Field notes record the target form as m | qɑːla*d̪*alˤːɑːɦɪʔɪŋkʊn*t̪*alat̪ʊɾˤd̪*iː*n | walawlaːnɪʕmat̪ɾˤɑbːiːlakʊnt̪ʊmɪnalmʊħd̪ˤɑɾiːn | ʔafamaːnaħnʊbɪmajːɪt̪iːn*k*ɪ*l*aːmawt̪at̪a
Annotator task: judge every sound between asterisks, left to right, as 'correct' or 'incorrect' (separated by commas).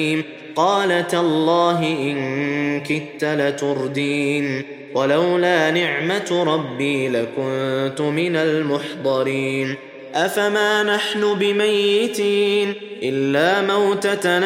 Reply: incorrect, correct, correct, incorrect, incorrect